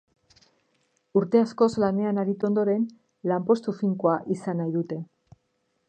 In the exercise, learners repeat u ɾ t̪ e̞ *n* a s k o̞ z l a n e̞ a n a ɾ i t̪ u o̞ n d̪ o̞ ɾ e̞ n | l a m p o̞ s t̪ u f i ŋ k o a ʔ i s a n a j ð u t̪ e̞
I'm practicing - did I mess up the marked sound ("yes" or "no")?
yes